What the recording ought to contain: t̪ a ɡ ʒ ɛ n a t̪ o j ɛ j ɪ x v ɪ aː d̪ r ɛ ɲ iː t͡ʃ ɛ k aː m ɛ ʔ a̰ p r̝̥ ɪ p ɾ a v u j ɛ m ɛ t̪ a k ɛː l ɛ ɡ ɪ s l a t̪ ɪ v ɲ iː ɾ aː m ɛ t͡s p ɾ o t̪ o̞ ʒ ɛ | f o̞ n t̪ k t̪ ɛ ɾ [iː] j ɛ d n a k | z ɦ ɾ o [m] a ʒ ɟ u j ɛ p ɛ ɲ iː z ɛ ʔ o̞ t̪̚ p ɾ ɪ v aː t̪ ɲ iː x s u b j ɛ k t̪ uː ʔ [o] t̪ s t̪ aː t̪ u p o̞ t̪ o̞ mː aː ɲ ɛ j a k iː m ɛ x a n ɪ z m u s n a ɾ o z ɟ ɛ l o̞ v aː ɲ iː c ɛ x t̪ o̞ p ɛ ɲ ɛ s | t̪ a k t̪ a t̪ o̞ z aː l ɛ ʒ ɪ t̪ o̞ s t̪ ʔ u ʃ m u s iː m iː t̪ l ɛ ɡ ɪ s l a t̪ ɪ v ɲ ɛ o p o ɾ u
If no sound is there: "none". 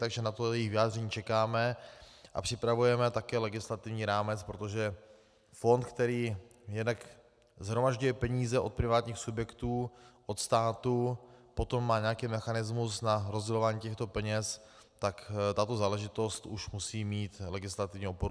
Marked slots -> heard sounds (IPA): iː, m, o

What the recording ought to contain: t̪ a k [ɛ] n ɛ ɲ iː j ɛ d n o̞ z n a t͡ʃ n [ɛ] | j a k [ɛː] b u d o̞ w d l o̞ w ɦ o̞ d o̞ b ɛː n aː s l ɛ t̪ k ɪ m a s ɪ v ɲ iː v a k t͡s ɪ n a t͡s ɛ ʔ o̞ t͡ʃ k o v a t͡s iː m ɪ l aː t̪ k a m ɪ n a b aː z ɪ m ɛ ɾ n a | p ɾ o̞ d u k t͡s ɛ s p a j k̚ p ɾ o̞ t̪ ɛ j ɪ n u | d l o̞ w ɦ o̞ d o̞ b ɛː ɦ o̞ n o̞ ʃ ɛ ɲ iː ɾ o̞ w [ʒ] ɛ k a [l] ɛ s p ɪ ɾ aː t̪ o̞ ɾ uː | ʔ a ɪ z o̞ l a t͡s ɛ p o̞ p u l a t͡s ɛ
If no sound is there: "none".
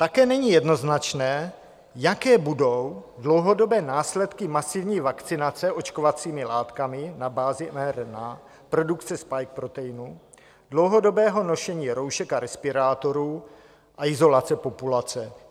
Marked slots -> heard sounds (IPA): ɛː, ɛː, ɛː, ʃ, ɾ

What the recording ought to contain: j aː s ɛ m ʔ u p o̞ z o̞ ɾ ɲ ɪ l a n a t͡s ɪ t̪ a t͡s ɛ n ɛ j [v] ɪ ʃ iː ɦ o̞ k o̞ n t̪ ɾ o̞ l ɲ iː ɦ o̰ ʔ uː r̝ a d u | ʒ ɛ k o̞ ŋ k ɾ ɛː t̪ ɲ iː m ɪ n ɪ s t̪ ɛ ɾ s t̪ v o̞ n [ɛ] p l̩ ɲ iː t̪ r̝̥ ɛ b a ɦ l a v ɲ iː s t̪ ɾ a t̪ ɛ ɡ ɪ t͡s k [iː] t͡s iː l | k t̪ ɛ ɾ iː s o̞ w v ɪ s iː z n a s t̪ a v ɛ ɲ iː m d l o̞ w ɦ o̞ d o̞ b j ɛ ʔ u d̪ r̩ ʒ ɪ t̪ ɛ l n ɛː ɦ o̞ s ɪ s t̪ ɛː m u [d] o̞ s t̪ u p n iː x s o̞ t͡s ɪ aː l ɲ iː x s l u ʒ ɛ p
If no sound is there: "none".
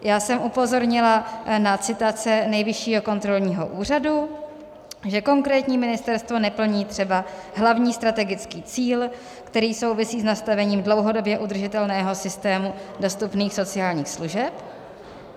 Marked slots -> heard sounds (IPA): v, ɛ, iː, d

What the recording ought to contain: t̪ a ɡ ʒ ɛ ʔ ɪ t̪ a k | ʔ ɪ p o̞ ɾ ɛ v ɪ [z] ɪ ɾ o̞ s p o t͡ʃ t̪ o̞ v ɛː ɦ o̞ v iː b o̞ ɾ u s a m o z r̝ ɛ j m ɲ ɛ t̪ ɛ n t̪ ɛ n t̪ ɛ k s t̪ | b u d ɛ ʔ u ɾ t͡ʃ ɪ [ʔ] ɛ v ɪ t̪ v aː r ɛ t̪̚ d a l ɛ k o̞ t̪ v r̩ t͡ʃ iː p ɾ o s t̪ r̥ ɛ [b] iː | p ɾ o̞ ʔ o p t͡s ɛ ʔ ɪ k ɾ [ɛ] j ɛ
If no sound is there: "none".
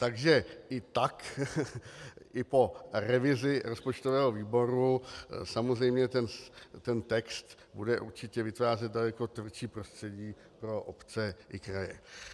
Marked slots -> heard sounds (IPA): z, c, ɟ, a

